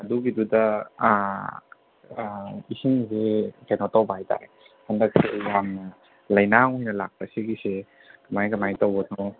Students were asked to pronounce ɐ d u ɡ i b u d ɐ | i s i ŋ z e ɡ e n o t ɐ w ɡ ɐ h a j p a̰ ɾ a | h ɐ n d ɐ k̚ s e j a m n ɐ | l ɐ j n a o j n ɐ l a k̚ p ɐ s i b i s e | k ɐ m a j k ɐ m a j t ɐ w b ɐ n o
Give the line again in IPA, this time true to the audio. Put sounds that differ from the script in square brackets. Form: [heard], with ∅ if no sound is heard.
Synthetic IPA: ɐ d u ɡ i [d] u d ɐ | i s i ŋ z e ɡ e n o t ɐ w [b] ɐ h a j [t] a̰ ɾ [e] | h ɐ n d ɐ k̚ s e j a m n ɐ | l ɐ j n a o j n ɐ l a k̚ p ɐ s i [ɡ] i s e | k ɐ m a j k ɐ m a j t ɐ w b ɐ n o